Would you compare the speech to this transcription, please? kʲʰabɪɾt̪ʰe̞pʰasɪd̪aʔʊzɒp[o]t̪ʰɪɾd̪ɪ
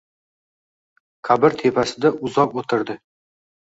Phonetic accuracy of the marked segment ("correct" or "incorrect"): correct